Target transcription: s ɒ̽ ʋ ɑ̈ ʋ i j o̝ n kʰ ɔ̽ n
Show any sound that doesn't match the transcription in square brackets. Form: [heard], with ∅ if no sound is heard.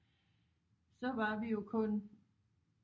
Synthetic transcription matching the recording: s ɒ̽ ʋ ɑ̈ ʋ i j o̝ [∅] kʰ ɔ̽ n